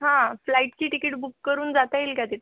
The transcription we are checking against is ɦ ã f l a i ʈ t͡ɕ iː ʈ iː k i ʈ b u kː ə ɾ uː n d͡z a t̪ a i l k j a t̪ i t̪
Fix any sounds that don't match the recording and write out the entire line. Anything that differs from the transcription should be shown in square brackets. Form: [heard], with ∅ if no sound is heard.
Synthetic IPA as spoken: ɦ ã f l a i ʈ t͡ɕ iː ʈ [i] k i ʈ b u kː ə ɾ uː n d͡z a t̪ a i l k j a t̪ i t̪